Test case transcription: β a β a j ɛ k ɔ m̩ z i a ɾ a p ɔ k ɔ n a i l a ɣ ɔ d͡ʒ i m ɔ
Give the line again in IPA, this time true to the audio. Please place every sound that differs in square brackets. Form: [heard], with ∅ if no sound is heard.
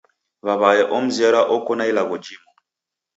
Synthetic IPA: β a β a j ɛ [ʔ] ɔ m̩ z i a ɾ a [ʔ] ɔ k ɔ n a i l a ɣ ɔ d͡ʒ i m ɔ